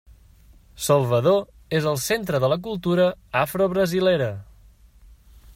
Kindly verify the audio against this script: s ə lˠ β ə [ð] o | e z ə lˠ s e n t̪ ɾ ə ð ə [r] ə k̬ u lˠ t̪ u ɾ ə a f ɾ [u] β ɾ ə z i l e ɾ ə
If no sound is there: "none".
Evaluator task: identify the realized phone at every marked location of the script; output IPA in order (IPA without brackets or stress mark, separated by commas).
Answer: ð, l, o